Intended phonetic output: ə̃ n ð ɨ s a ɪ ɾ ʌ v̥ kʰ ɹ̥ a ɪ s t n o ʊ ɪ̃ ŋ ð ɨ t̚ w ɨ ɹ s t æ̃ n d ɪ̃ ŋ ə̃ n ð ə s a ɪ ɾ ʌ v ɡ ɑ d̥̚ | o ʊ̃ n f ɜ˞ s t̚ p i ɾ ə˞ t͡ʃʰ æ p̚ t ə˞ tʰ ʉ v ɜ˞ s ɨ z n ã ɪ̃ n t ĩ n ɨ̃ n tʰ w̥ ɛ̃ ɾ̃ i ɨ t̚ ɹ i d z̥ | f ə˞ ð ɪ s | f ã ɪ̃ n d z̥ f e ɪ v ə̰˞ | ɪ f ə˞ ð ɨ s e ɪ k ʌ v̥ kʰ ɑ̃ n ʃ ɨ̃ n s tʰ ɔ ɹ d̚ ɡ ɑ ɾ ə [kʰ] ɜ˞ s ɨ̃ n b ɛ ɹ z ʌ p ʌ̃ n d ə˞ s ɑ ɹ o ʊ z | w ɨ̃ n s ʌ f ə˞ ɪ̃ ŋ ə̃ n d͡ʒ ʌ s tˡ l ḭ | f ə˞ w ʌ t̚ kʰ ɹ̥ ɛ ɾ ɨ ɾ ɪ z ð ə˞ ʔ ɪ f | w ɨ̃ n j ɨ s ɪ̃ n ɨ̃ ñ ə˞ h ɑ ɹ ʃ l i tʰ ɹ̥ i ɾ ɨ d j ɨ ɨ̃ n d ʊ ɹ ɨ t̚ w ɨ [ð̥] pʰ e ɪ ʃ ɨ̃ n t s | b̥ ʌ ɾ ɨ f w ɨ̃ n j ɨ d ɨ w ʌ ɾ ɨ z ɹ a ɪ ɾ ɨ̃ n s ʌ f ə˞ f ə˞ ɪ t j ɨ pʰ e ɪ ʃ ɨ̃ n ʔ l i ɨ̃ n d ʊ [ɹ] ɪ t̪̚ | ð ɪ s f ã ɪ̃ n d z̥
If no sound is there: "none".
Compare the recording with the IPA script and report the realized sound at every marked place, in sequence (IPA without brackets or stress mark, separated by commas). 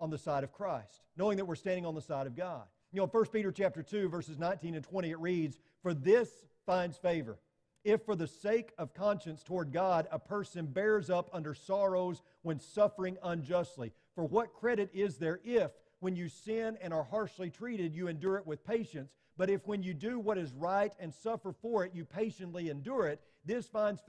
pʰ, ð̥, ɹ